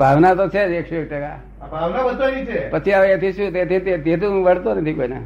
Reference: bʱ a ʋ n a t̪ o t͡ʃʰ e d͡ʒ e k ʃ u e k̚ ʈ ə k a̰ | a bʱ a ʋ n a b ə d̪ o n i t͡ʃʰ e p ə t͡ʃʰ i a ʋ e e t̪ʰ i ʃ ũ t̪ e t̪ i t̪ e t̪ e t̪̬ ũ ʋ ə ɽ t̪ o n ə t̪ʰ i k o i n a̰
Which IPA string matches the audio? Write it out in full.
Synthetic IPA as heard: bʱ a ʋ n a t̪ o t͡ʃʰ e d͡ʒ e k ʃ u e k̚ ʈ ə k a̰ | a bʱ a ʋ n a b ə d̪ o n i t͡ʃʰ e p ə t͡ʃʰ i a ʋ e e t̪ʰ i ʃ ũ t̪ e t̪ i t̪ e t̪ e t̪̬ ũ ʋ ə ɽ t̪ o n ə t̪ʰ i k o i n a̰